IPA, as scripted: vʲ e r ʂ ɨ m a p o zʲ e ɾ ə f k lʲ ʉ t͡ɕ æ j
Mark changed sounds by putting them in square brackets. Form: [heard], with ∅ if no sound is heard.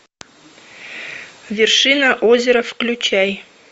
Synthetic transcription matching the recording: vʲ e r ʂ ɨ [n] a [ʔ] o zʲ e ɾ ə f k lʲ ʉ t͡ɕ æ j